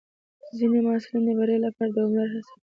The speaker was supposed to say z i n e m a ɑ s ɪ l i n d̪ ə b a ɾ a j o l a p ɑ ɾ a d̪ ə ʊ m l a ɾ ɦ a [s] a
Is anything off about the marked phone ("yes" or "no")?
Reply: no